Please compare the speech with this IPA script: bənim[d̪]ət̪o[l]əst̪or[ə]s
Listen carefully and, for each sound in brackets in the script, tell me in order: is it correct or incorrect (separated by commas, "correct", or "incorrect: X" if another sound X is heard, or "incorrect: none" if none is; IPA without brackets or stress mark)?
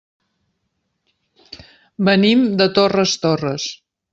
correct, incorrect: r, correct